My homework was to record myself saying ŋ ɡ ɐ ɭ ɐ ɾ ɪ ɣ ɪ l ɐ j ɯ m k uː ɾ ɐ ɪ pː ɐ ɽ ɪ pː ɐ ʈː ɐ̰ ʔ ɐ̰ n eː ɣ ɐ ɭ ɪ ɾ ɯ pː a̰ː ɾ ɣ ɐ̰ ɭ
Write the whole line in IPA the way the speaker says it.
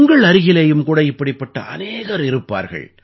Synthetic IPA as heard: ŋ ɡ ɐ ɭ ɐ ɾ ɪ ɣ ɪ l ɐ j ɯ m k uː ɽ ɐ ɪ pː ɐ ɽ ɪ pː ɐ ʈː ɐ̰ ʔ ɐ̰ n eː ɣ ɐ ɾ ɪ ɾ ɯ pː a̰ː ɾ ɣ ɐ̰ ɭ